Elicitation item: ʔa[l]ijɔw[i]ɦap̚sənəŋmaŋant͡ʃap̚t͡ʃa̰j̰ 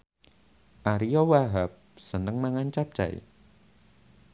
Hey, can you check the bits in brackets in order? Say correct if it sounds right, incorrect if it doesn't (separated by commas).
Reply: incorrect, incorrect